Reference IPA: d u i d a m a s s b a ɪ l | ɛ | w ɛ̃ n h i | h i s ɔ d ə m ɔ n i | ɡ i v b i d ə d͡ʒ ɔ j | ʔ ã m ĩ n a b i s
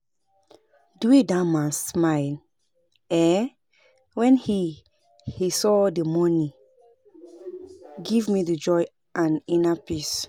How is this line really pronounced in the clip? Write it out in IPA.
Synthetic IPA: d u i d a m a s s m a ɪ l | ɛ | w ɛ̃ n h i | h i s ɔ d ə m ɔ n i | ɡ i v m i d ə d͡ʒ ɔ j | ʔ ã n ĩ n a p i s

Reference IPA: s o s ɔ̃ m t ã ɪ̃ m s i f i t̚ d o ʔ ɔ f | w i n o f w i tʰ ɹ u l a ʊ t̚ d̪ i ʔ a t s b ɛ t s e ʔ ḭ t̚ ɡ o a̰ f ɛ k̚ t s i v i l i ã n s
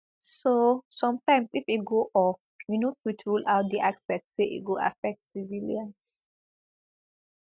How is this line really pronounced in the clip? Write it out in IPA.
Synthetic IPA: s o s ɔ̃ m t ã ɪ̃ m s i f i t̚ ɡ o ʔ ɔ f | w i n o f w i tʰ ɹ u l a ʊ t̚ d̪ i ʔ a k s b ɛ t s e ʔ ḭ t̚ ɡ o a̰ f ɛ k̚ t s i v i l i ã n s

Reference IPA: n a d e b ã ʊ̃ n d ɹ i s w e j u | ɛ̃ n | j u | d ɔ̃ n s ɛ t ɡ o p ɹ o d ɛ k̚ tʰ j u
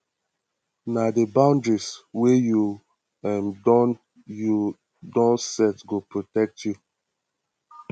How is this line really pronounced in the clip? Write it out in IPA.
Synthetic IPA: n a d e b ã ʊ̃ n d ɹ i s w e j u | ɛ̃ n | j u | d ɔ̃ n s ɛ t ɡ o p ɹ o t ɛ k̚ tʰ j u

